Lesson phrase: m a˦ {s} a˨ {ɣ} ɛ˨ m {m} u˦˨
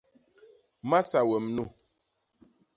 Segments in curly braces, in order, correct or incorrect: correct, incorrect: w, incorrect: n

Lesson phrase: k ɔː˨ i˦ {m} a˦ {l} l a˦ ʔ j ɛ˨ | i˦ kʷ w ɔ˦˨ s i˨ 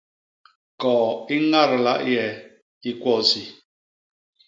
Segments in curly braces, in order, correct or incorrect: incorrect: ŋ, incorrect: ɾ

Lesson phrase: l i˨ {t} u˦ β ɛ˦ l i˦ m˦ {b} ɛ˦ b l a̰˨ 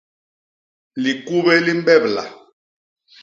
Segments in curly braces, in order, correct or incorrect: incorrect: k, correct

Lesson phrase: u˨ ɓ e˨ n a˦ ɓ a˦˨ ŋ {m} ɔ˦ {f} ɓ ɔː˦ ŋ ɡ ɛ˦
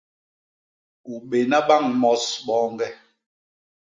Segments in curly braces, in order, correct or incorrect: correct, incorrect: s

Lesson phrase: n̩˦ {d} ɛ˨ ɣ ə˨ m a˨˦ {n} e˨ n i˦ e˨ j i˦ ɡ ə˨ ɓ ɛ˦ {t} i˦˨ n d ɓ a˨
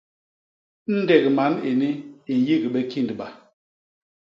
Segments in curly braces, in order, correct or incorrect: correct, correct, incorrect: k

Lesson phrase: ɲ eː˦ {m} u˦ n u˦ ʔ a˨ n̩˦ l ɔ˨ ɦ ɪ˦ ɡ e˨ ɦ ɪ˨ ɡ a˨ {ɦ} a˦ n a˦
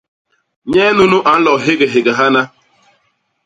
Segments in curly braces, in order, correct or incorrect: incorrect: n, correct

